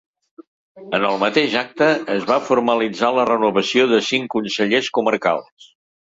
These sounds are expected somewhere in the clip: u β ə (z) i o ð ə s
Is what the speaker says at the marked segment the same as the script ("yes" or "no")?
no